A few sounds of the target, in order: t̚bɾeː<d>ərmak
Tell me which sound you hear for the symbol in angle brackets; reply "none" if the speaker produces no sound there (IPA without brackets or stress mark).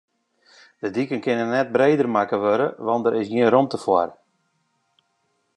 d